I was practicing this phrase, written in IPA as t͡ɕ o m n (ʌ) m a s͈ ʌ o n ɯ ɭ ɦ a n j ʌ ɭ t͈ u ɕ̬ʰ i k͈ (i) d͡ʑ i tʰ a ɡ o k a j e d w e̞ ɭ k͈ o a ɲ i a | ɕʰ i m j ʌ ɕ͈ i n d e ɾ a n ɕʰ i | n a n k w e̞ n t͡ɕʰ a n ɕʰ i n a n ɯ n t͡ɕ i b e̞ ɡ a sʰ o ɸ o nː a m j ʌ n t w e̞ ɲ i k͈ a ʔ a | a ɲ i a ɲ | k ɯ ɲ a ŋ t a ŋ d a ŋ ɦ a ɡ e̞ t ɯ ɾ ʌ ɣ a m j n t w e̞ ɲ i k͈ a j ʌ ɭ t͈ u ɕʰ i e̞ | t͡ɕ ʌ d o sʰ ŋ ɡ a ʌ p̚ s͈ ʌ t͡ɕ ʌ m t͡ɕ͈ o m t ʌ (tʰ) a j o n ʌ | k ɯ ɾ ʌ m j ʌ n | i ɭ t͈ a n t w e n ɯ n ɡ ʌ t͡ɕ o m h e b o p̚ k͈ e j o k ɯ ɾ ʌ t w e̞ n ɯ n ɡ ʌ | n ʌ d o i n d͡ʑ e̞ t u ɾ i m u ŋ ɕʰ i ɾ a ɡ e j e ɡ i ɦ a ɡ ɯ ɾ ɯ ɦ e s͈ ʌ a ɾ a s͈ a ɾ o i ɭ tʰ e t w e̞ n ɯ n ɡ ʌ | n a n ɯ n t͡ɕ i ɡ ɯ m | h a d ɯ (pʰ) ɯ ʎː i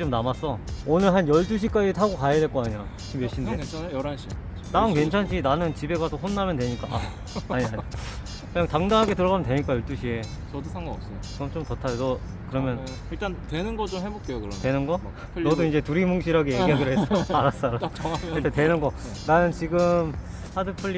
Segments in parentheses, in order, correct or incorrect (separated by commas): incorrect, incorrect, correct, correct